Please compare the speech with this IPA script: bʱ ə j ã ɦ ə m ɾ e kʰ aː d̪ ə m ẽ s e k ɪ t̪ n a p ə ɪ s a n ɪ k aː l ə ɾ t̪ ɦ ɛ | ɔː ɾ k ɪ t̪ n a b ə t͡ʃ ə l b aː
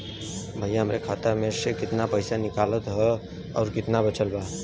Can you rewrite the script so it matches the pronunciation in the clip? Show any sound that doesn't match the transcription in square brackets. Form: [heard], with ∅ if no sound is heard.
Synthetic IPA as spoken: bʱ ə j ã ɦ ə m ɾ e kʰ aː [t̪] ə m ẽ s e k ɪ t̪ n a p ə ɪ s a n ɪ k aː l ə [∅] t̪ ɦ ɛ | ɔː ɾ k ɪ t̪ n a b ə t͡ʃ ə l b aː